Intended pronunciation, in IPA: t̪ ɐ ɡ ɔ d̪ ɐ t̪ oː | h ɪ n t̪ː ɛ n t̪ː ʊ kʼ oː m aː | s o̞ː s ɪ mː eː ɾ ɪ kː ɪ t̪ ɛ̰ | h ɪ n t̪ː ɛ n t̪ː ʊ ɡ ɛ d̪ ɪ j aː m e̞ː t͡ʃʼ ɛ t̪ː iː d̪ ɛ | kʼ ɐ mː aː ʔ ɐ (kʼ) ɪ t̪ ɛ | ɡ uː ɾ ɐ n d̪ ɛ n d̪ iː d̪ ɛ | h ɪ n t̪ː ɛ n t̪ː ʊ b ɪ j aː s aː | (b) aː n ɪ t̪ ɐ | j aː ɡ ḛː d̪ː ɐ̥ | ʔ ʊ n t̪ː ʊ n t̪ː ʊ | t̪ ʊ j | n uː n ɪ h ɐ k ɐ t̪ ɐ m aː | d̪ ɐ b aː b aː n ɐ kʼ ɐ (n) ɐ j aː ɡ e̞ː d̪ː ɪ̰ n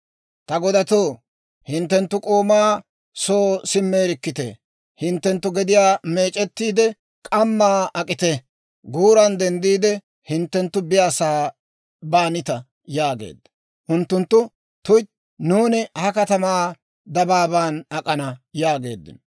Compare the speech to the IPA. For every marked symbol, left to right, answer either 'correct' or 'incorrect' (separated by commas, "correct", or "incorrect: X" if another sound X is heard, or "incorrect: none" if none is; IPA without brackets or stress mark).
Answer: correct, correct, correct